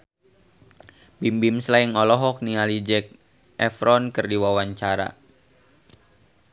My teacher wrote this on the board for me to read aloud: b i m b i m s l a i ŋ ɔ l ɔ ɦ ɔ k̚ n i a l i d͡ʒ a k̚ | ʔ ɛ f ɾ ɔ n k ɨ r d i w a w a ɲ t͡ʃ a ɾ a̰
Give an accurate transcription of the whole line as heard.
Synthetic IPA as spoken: b i m b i m s l a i ŋ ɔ l ɔ ɦ ɔ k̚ n i a l i d͡ʒ ɛ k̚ | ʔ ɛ f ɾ ɔ n k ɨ r d i w a w a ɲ t͡ʃ a ɾ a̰